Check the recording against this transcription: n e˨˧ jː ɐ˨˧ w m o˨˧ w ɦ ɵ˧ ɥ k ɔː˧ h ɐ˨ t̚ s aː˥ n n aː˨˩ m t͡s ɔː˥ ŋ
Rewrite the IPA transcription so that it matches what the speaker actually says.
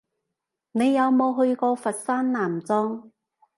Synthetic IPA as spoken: n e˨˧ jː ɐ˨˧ w m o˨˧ w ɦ ɵ˧ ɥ k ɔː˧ f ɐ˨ t̚ s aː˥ n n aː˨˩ m t͡s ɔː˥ ŋ